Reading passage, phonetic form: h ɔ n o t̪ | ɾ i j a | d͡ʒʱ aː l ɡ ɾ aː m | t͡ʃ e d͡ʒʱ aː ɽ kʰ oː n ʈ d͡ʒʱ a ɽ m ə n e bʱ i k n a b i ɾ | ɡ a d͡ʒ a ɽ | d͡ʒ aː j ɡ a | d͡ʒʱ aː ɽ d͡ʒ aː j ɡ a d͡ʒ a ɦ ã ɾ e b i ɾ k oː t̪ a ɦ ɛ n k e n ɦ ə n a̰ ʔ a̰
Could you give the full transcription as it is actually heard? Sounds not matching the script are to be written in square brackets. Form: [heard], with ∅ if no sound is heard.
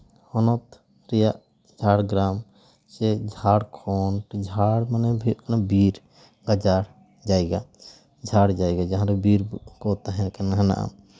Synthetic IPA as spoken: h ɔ n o t̪ | ɾ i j a | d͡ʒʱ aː [ɽ] ɡ ɾ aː m | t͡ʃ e d͡ʒʱ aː ɽ kʰ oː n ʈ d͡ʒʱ a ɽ m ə n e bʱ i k n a b i ɾ | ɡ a d͡ʒ a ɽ | d͡ʒ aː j ɡ a | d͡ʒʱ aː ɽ d͡ʒ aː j ɡ a d͡ʒ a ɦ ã ɾ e b i ɾ k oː t̪ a ɦ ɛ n k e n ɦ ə n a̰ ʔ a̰